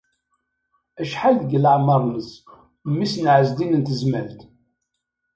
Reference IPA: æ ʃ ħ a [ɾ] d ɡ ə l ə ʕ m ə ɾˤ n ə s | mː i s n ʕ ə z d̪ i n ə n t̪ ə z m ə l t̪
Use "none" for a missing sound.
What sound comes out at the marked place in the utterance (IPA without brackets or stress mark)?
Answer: l